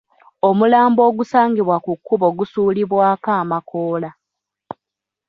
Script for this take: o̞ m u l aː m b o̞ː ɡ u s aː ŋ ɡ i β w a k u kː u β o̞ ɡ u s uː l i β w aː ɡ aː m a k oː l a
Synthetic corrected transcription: o̞ m u l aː m b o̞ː ɡ u s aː ŋ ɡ i β w a k u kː u β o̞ ɡ u s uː l i β w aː k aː m a k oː l a